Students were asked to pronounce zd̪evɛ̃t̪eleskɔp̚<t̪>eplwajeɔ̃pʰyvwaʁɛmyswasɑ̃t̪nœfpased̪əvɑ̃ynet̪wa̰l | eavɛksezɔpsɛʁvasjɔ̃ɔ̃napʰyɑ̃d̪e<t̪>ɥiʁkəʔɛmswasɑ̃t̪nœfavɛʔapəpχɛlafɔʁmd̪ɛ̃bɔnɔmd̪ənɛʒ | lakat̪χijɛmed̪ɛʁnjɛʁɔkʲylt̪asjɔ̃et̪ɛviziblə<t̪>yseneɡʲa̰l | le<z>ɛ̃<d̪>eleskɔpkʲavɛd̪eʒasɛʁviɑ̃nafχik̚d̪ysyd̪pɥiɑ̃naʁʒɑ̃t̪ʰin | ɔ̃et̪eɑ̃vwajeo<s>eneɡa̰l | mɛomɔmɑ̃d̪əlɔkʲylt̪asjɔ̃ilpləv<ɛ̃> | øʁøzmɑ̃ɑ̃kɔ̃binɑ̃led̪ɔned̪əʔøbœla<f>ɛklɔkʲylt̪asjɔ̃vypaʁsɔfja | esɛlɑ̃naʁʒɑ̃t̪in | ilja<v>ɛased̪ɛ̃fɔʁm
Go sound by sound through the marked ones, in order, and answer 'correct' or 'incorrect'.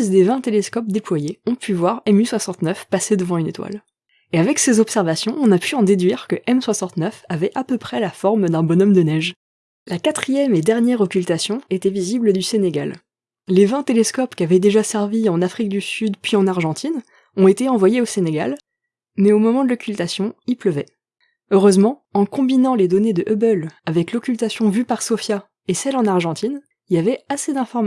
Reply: incorrect: d̪, incorrect: d̪, incorrect: d̪, incorrect: v, incorrect: t̪, correct, incorrect: ɛ, incorrect: v, correct

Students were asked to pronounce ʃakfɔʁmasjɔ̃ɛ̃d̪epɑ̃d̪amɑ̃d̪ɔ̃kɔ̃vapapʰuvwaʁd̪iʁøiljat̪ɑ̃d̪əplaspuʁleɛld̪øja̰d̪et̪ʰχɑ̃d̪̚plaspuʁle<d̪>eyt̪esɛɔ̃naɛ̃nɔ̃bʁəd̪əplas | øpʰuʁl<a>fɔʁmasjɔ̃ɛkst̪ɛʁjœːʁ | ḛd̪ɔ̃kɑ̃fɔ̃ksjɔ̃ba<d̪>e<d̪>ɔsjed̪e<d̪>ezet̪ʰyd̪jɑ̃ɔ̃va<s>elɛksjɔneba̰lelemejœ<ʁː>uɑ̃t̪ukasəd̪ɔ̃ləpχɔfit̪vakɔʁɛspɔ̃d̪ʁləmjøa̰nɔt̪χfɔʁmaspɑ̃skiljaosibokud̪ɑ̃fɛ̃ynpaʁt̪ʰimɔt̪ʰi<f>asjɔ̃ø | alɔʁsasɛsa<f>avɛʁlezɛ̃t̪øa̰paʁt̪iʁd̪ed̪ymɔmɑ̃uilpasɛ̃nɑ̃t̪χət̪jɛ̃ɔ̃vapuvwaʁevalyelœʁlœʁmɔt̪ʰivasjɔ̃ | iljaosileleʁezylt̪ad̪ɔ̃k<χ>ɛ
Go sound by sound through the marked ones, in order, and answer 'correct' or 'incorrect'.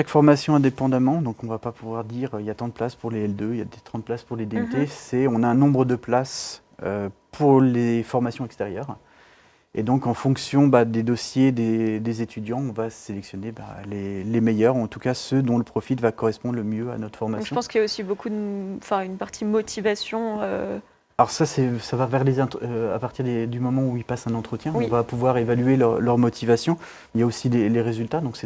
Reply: correct, incorrect: e, correct, correct, correct, correct, incorrect: ʁ, incorrect: v, incorrect: v, incorrect: s

